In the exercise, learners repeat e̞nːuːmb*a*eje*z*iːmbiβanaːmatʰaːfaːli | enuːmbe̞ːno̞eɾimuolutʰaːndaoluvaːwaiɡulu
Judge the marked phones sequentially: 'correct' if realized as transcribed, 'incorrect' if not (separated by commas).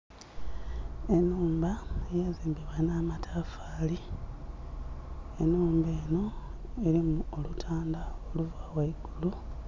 correct, correct